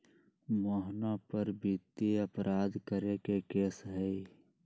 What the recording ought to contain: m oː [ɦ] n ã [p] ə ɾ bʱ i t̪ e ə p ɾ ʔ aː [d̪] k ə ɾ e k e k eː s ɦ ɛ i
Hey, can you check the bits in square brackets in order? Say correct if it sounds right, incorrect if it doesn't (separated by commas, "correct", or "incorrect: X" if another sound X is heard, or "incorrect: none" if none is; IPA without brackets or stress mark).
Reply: correct, correct, correct